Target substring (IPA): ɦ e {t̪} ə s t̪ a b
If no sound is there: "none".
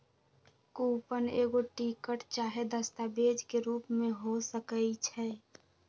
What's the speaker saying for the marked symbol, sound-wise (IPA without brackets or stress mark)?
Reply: d̪